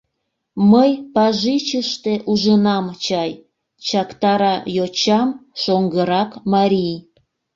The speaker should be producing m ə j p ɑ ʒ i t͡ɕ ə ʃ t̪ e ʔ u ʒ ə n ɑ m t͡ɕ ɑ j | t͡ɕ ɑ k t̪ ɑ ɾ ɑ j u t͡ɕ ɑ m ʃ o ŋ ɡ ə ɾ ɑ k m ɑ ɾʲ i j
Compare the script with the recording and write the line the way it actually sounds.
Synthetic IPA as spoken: m ə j p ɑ ʒ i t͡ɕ ə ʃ t̪ e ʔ u ʒ ə n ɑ m t͡ɕ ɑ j | t͡ɕ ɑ k t̪ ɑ ɾ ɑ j o t͡ɕ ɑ m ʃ o ŋ ɡ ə ɾ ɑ k m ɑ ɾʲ i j